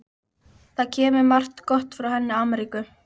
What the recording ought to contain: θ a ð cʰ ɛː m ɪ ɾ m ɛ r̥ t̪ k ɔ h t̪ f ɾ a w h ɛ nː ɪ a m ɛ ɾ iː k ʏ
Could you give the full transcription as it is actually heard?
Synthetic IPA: θ a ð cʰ ɛː m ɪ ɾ m a r̥ t̪ k ɔ h t̪ f ɾ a w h ɛ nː ɪ a m ɛ ɾ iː k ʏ